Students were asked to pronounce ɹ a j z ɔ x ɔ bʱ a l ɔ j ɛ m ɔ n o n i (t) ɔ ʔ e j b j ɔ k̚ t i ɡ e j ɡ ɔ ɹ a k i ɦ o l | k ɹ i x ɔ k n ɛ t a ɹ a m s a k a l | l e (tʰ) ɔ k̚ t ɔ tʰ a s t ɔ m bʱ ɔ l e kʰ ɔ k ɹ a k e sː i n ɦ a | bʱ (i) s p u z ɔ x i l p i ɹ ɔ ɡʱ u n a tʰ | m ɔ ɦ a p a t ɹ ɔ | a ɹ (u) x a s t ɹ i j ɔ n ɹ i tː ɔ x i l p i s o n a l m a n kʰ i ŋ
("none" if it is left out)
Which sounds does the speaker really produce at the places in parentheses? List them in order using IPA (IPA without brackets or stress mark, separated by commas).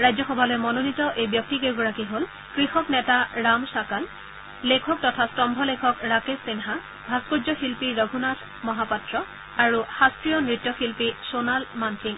t, kʰ, a, u